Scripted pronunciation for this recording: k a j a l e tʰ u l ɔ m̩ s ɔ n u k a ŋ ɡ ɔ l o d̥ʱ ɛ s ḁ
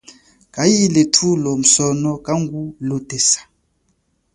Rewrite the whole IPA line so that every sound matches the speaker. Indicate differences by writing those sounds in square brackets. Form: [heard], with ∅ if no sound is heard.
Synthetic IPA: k a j [i] l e tʰ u l ɔ m̩ s ɔ n [ɔ] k a ŋ ɡ [u] l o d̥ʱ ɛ s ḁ